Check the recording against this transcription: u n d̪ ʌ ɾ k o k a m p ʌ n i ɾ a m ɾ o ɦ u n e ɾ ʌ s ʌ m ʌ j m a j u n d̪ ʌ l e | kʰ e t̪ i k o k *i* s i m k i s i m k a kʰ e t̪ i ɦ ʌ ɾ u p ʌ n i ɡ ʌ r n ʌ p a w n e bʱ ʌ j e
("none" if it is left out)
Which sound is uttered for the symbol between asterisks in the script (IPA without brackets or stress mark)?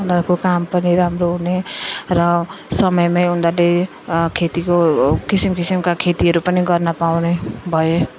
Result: i